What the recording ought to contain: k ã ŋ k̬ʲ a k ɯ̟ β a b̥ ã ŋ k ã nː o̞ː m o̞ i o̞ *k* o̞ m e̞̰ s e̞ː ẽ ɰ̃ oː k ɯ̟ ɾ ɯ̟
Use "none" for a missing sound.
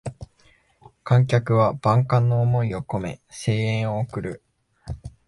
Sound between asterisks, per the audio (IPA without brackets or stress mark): k